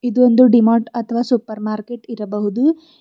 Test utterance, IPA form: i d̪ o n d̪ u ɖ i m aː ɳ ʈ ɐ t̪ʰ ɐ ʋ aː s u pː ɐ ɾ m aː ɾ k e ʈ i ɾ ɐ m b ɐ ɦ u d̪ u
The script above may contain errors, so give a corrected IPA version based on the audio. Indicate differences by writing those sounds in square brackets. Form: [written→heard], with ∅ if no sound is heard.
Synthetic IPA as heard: i d̪ o n d̪ u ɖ i m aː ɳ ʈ ɐ t̪ʰ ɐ ʋ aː s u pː ɐ ɾ m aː ɾ k e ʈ i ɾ ɐ [m→∅] b ɐ ɦ u d̪ u